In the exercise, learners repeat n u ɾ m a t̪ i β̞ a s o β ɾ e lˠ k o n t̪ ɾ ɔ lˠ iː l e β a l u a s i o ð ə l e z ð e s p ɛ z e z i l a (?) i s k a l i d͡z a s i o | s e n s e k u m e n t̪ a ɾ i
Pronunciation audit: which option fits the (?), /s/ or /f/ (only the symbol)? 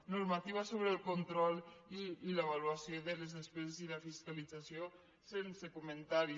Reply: f